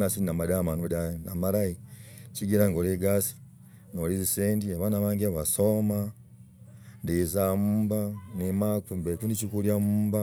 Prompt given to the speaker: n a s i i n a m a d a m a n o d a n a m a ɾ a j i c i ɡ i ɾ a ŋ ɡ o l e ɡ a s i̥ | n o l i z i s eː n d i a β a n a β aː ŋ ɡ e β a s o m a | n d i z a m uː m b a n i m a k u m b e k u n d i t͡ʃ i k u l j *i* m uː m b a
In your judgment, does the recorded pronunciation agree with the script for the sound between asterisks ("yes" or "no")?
no